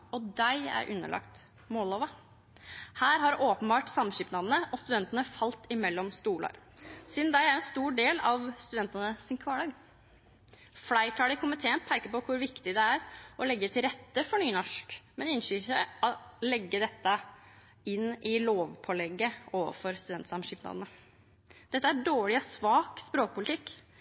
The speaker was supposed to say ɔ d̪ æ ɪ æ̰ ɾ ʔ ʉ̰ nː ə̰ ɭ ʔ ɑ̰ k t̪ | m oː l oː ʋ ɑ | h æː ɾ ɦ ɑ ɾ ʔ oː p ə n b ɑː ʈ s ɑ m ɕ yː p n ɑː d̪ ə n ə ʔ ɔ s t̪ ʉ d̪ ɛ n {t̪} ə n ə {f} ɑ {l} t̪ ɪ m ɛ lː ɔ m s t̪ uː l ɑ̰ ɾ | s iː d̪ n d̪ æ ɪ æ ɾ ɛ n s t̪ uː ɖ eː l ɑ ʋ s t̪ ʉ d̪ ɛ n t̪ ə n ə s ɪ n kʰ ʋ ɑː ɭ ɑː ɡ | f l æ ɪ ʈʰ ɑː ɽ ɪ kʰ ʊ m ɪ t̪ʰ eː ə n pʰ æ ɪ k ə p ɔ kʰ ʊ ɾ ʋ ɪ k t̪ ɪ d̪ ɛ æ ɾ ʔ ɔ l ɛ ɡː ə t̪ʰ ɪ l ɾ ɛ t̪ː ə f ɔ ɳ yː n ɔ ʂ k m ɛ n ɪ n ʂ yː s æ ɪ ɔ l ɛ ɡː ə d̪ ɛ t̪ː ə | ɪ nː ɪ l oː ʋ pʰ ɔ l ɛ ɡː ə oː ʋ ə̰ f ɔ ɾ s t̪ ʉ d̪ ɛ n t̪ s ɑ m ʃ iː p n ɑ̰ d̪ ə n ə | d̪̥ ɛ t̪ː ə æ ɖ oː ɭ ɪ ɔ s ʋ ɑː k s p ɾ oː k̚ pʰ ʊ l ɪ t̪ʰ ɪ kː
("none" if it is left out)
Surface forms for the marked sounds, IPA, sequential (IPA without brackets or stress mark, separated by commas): t̪, f, l